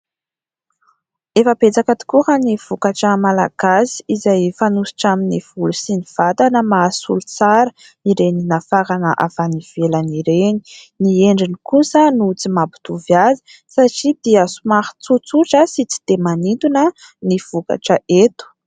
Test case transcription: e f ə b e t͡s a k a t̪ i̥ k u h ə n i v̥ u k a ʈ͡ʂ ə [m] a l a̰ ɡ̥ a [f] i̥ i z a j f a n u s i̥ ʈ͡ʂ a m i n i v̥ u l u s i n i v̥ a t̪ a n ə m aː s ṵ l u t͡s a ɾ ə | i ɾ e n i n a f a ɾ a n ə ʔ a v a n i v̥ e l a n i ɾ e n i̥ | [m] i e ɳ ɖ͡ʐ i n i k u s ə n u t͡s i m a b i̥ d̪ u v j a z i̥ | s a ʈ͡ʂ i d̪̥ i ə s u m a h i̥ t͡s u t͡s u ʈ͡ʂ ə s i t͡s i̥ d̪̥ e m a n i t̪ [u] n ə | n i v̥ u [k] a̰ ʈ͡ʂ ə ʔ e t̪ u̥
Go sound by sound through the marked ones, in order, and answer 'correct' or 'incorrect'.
correct, incorrect: s, incorrect: n, correct, correct

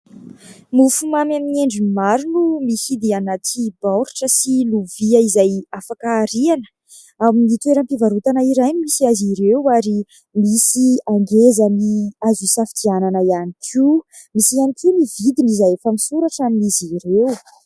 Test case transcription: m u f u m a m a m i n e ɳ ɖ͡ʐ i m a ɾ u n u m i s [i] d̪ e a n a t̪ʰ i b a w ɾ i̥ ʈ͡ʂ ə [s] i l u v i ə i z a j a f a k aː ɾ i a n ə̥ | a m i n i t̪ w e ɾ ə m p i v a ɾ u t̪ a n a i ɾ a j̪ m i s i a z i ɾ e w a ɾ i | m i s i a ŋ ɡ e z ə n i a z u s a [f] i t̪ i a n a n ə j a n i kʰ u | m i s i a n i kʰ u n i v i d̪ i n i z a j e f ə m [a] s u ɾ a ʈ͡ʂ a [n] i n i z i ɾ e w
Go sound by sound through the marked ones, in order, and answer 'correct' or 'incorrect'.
correct, correct, correct, incorrect: i, incorrect: m

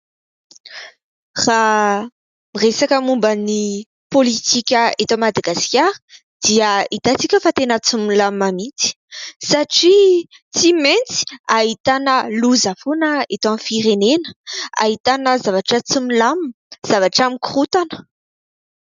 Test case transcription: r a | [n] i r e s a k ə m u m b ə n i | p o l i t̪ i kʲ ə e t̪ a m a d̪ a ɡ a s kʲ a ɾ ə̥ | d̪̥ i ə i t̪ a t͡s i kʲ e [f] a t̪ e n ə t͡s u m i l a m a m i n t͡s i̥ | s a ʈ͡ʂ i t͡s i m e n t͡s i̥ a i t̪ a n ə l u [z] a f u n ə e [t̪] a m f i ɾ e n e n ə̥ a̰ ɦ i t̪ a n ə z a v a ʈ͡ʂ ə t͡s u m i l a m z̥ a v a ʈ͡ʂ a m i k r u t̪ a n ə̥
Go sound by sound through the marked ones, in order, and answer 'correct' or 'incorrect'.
incorrect: m, correct, correct, correct

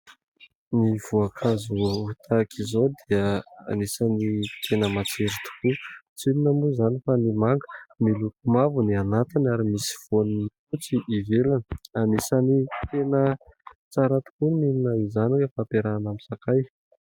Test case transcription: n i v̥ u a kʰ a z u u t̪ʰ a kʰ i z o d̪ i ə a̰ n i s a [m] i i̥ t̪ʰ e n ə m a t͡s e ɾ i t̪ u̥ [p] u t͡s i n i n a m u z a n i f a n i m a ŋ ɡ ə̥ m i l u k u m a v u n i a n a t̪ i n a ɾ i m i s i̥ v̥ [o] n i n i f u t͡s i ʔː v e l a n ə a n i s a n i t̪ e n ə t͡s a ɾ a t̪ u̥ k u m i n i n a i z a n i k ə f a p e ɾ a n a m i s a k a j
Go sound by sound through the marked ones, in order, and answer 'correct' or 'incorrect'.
incorrect: n, incorrect: k, correct

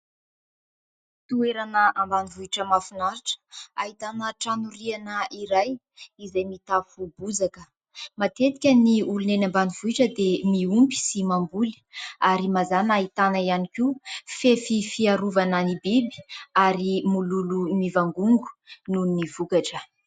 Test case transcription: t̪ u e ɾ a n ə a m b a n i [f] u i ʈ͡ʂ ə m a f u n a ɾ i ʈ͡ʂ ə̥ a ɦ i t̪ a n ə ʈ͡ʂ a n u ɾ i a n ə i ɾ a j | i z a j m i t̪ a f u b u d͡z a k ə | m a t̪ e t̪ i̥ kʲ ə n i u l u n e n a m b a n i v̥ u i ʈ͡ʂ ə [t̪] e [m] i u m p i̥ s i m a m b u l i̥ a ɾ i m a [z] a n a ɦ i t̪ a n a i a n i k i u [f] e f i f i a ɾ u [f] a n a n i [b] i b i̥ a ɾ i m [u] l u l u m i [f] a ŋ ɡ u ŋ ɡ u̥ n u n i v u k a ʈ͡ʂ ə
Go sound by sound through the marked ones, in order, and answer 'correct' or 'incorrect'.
incorrect: v, incorrect: d̪, correct, correct, correct, incorrect: v, correct, correct, incorrect: v

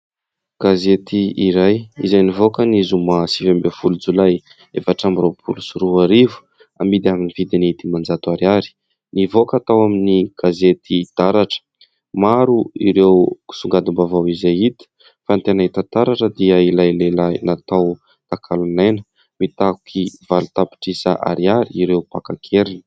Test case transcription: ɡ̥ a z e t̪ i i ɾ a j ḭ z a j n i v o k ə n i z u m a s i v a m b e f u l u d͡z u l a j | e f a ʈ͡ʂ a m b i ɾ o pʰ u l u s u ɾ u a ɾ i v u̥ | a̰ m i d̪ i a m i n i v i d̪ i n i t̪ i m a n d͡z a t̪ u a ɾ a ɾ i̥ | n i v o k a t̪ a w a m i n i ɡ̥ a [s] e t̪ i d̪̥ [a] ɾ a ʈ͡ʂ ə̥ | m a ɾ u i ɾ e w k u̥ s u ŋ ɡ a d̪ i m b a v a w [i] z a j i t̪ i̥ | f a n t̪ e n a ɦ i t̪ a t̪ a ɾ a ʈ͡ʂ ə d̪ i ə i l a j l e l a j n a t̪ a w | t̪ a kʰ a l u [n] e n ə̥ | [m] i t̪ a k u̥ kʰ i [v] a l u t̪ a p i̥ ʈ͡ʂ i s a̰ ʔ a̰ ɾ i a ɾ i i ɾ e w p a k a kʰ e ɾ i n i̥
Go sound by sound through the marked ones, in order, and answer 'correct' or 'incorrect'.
incorrect: z, correct, correct, correct, correct, correct

